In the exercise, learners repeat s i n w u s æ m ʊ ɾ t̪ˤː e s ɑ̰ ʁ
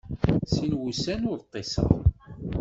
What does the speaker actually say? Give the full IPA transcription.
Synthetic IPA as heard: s i n w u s æ n ʊ ɾ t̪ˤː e s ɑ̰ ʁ